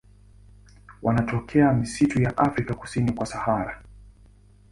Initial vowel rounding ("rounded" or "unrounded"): unrounded